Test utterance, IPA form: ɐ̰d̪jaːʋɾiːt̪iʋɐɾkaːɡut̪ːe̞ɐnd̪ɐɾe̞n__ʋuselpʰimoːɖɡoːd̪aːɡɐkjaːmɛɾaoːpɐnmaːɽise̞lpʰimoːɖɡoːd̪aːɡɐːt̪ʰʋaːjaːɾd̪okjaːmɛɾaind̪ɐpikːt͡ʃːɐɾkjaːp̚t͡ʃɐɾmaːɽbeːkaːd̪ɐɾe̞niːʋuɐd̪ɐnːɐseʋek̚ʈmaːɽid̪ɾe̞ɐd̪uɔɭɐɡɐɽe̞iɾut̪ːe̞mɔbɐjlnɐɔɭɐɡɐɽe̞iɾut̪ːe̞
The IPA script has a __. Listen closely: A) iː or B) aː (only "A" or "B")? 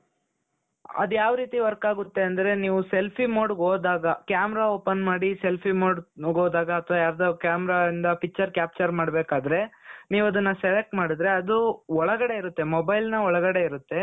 A